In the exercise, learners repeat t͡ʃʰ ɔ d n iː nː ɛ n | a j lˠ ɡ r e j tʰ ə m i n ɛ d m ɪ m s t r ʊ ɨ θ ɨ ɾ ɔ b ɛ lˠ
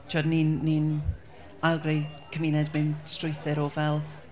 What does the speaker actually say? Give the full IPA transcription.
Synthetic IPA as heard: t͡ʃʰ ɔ d n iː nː i n | a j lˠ ɡ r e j kʰ ə m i n ɛ d m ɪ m s t r ʊ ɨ θ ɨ ɾ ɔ v ɛ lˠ